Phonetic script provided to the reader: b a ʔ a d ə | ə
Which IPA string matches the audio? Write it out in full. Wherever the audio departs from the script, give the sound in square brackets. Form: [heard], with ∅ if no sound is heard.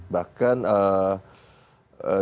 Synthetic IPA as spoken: b a [k] a [n] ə | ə

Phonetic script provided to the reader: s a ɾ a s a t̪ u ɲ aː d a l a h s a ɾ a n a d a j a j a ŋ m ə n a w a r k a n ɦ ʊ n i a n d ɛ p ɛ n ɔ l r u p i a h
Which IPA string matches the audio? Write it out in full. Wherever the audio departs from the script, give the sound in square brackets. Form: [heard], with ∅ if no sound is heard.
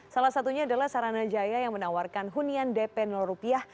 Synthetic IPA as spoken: s a [l] a s a t̪ u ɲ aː d a l a h s a ɾ a n a [d͡ʒ] a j a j a ŋ m ə n a w a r k a n ɦ [u] n i a n d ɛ p ɛ n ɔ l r u p i a h

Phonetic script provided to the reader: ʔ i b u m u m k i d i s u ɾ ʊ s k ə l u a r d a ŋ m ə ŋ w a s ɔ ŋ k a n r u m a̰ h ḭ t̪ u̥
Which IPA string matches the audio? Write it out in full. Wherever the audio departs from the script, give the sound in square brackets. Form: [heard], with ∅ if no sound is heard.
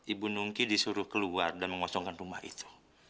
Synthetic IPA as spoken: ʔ i b u [n] u [ŋ] k i d i s u ɾ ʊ [h] k ə l u a r d a [n] m ə ŋ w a s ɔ ŋ k a n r u m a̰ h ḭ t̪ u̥

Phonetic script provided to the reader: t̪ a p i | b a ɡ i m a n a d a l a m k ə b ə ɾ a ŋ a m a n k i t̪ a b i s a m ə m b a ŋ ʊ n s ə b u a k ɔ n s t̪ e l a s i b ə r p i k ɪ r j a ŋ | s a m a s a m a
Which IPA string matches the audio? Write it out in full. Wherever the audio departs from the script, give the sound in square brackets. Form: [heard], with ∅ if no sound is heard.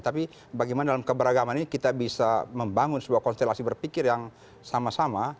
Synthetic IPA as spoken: t̪ a p i | b a ɡ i m a n a d a l a m k ə b ə ɾ a [ɡ] a m a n k i t̪ a b i s a m ə m b a ŋ ʊ n s ə b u a k ɔ n s t̪ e l a s i b ə r p i k ɪ r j a ŋ | s a m a s a m a

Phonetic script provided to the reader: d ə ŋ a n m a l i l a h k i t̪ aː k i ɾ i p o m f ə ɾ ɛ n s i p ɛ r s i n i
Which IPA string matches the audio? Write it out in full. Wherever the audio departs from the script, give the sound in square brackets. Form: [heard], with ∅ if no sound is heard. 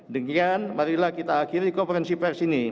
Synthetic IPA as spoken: d ə ŋ a n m a [ɾ] i l a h k i t̪ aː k i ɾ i [k] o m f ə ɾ ɛ n s i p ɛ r s i n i

